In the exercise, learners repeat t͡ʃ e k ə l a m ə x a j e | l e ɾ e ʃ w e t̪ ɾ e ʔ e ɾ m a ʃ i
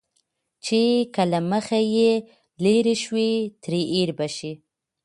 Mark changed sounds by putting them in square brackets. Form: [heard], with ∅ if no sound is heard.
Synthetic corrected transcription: t͡ʃ e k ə l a m ə x a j e | l e ɾ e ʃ w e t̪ ɾ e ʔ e ɾ [b] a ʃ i